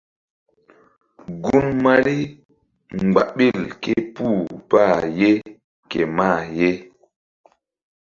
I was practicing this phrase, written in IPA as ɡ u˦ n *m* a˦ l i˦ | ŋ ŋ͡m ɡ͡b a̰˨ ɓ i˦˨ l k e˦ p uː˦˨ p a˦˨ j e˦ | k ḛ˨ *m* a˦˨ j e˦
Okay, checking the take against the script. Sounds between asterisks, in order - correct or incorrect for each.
correct, correct

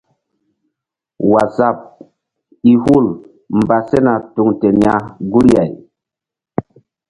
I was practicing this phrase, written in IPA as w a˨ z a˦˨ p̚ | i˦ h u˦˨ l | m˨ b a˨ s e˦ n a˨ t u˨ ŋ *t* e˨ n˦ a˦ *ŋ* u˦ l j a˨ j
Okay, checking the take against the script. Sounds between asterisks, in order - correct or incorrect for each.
correct, incorrect

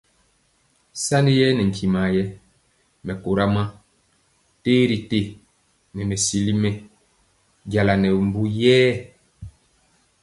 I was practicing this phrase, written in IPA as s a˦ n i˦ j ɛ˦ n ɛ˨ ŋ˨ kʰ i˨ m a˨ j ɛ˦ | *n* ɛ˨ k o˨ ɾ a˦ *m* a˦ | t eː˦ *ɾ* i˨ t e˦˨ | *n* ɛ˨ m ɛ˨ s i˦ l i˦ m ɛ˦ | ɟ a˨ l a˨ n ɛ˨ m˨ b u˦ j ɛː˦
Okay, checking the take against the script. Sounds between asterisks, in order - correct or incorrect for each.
incorrect, correct, correct, correct

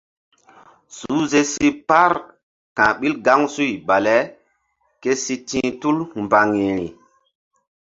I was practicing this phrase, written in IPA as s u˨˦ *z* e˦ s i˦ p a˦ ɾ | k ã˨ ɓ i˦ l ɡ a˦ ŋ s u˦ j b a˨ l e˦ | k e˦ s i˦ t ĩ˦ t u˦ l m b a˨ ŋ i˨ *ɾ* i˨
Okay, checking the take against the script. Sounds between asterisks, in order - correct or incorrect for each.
correct, correct

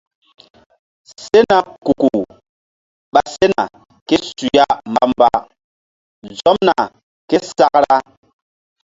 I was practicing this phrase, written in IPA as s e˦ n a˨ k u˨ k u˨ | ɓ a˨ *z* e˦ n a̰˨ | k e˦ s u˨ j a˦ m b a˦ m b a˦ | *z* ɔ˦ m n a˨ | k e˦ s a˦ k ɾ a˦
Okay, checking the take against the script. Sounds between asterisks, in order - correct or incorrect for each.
incorrect, correct

